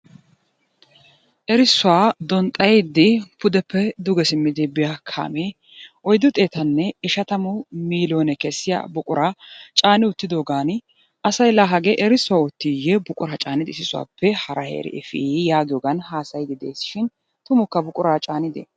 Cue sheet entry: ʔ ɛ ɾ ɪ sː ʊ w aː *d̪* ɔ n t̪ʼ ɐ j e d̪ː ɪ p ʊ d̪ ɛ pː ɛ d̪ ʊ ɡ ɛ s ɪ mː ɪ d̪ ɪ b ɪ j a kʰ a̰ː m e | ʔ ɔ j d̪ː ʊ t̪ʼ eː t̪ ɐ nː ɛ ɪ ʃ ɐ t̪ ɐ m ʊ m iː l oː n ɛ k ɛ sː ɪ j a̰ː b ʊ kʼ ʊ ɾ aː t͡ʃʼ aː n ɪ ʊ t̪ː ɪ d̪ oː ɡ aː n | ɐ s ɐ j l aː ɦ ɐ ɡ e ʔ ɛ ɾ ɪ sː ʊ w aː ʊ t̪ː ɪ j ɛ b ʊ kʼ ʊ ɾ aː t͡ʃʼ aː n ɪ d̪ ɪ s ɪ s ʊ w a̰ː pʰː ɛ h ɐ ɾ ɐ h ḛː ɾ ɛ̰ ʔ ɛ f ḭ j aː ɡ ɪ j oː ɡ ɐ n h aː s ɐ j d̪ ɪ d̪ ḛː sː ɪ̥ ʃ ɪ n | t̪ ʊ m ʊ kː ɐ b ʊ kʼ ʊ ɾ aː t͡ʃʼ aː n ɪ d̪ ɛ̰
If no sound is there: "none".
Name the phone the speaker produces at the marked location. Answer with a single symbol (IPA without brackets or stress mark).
d̪